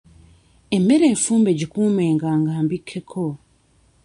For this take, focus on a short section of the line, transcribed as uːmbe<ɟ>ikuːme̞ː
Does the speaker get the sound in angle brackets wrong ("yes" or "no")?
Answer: no